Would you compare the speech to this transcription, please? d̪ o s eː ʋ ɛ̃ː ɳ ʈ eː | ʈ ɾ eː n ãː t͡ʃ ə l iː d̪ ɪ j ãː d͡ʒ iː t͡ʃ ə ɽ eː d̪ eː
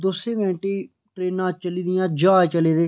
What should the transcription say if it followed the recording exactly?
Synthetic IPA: d̪ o s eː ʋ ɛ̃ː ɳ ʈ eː | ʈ ɾ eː n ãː t͡ʃ ə l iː d̪ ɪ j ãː d͡ʒ aː t͡ʃ ə l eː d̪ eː